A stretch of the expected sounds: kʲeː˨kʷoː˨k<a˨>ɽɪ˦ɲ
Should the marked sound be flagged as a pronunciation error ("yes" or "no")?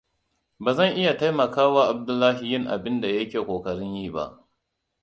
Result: yes